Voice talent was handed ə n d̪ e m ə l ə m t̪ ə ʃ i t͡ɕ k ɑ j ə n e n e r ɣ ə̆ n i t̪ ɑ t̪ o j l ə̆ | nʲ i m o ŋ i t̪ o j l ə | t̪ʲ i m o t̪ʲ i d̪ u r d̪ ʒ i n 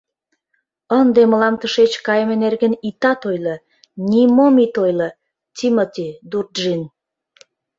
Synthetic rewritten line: ə n d̪ e m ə l ɑ m t̪ ə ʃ e t͡ɕ k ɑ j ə m e n e r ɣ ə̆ n i t̪ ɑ t̪ o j l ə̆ | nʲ i m o m i t̪ o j l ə | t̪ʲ i m o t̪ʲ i d̪ u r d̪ ʒ i n